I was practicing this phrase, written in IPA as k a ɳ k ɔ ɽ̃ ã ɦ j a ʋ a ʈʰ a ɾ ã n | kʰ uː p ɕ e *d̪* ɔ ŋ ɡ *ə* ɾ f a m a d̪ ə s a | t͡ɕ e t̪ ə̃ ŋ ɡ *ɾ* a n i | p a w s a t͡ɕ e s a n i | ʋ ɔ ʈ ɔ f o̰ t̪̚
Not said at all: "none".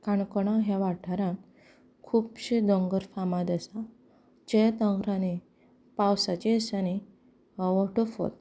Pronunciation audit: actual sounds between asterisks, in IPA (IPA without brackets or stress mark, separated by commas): d̪, ə, ɾ